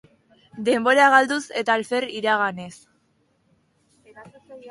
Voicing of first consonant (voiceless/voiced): voiced